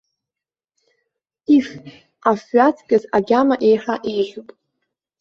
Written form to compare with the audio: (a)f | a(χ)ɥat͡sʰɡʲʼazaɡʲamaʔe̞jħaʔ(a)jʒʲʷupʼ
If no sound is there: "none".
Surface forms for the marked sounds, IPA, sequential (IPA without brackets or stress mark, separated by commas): i, f, e